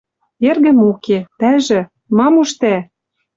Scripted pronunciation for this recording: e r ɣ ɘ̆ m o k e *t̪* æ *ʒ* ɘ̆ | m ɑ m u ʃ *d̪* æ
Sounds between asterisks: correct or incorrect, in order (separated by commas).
correct, correct, incorrect